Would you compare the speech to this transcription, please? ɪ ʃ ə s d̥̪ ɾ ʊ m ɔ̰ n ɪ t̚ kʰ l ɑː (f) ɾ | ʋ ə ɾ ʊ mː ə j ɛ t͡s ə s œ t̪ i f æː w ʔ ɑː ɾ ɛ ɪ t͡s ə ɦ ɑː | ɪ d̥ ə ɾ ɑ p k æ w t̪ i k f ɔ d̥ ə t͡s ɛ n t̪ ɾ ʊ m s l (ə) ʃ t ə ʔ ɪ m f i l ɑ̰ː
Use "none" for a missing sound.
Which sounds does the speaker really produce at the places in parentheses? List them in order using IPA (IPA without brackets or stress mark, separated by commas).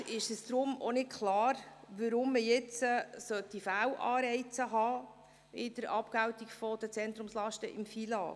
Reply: none, ɑ